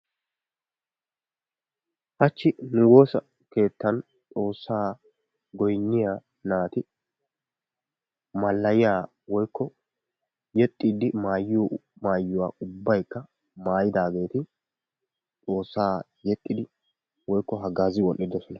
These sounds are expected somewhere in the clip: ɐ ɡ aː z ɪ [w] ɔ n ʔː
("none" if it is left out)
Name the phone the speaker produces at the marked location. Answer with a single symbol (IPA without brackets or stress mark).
w